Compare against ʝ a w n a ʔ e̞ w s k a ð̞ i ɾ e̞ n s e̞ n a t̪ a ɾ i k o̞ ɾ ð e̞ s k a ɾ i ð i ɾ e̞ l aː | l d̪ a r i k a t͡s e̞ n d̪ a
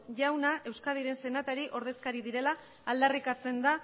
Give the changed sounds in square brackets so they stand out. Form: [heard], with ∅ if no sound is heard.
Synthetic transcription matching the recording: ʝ a w n a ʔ e̞ w s k a ð̞ i ɾ e̞ n s e̞ n a t̪ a ɾ i [ʔ] o̞ ɾ ð e̞ s k a ɾ i ð i ɾ e̞ l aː | l d̪ a r i k a t͡s e̞ n d̪ a